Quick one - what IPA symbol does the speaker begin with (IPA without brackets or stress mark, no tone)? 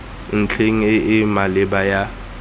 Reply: n̩